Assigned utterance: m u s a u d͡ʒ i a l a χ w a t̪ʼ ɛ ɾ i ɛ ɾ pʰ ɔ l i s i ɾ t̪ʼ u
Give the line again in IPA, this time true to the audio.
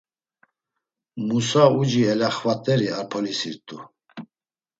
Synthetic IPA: m u s a u d͡ʒ i ɛ l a χ v a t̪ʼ ɛ ɾ i a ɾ pʰ ɔ l i s i ɾ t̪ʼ u